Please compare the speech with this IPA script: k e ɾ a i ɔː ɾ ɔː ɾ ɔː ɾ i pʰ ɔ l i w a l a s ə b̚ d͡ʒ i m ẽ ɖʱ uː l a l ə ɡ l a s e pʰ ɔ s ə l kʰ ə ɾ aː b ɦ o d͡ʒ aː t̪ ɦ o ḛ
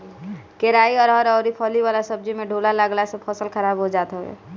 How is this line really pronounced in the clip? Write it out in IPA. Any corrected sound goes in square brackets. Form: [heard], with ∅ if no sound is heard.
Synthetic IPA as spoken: k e ɾ a i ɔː ɾ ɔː ɾ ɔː ɾ i pʰ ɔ l i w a l a s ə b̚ d͡ʒ i m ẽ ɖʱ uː l a l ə ɡ l a s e pʰ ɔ s ə l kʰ ə ɾ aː b ɦ o d͡ʒ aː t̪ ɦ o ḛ